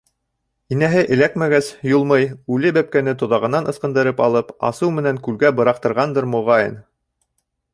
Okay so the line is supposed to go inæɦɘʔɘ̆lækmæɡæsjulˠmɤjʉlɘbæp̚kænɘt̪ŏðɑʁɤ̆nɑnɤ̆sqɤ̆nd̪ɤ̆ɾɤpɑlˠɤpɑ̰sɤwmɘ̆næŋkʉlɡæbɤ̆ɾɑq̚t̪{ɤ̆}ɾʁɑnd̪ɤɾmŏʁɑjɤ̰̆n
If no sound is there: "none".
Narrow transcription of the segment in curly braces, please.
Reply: ɤ̆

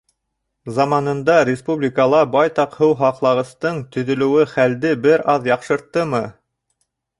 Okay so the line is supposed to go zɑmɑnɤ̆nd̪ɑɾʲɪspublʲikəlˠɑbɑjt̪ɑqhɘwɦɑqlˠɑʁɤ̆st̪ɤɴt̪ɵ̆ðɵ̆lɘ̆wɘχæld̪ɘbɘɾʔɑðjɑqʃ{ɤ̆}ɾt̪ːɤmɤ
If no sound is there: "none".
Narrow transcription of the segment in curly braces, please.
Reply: ɤ̆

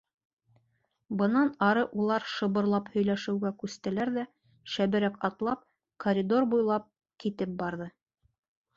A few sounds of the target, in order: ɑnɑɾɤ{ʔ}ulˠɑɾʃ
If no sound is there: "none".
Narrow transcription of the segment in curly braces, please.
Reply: ʔ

